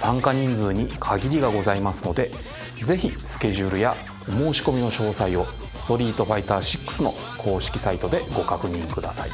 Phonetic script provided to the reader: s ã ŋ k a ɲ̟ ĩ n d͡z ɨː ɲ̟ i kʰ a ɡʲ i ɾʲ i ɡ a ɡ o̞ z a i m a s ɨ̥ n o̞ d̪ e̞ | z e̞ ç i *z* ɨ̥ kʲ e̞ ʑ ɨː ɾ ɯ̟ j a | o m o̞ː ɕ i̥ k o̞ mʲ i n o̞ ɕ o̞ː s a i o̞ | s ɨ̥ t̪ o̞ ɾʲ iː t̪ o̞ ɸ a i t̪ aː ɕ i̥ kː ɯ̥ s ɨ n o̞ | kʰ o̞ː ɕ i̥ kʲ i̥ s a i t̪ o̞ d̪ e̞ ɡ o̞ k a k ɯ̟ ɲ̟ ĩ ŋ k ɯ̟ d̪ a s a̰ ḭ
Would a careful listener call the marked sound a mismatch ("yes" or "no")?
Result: yes